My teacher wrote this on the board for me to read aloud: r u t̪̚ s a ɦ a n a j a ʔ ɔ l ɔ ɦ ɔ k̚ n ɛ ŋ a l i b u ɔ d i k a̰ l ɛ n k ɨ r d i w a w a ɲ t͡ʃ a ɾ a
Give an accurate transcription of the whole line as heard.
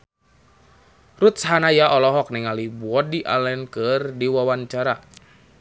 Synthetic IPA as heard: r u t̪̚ s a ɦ a n a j a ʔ ɔ l ɔ ɦ ɔ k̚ n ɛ ŋ a l i b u ɔ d i ʔ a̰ l ɛ n k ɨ r d i w a w a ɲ t͡ʃ a ɾ a

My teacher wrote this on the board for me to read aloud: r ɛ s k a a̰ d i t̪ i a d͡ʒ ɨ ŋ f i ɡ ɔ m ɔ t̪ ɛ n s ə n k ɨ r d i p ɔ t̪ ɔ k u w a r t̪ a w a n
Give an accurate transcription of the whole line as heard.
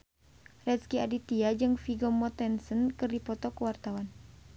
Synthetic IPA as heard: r ɛ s k i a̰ d i t̪ i a d͡ʒ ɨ ŋ f i ɡ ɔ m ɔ t̪ ɛ n s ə n k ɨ r d i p ɔ t̪ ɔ k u w a r t̪ a w a n

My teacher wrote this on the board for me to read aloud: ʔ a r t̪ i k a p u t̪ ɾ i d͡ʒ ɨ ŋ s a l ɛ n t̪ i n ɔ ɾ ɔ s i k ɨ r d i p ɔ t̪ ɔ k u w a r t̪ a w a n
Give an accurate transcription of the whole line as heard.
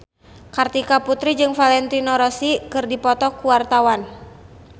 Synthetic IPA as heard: k a r t̪ i k a p u t̪ ɾ i d͡ʒ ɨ ŋ f a l ɛ n t̪ i n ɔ ɾ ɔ s i k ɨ r d i p ɔ t̪ ɔ k u w a r t̪ a w a n

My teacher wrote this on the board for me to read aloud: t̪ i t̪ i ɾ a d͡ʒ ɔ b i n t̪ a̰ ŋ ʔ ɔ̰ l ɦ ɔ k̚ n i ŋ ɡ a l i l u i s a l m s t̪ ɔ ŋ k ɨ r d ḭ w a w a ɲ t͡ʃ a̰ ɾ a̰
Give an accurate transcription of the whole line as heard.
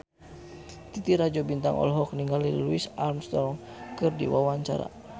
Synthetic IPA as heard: t̪ i t̪ i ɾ a d͡ʒ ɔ b i n t̪ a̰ ŋ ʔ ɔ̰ l ɦ ɔ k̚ n i ŋ ɡ a l i l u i s a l m s t̪ ɔ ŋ k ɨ r d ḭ w a w a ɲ t͡ʃ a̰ ɾ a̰

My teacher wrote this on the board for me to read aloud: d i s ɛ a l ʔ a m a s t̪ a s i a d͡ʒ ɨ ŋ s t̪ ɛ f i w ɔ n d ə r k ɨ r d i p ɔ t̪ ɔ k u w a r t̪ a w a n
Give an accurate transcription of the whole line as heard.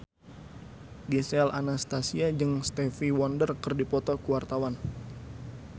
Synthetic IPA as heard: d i s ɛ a l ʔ a n a s t̪ a s i a d͡ʒ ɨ ŋ s t̪ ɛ f i w ɔ n d ə r k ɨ r d i p ɔ t̪ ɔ k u w a r t̪ a w a n

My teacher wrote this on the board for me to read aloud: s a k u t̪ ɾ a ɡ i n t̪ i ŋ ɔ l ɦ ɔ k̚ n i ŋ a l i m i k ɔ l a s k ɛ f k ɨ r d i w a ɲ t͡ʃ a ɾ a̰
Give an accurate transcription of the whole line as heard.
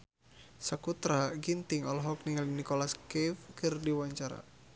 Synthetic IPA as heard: s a k u t̪ ɾ a ɡ i n t̪ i ŋ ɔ l ɦ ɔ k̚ n i ŋ a l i n i k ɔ l a s k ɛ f k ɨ r d i w a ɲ t͡ʃ a ɾ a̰

